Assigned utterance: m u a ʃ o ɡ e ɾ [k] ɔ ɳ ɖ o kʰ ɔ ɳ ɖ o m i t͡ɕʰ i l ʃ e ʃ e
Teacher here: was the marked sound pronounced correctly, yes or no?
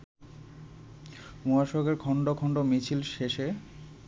no